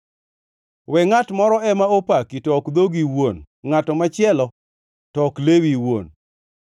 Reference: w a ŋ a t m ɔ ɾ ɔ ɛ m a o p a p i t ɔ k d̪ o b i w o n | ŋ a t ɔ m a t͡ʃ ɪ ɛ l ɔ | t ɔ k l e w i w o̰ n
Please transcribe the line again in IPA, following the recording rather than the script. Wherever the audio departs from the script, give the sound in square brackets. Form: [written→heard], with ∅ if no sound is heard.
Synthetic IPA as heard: w [a→ɛ] ŋ a t m ɔ ɾ ɔ ɛ m a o p a [p→k] i t ɔ k d̪ o [b→ɡ] i w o n | ŋ a t ɔ m a t͡ʃ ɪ ɛ l ɔ | t ɔ k l e w i w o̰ n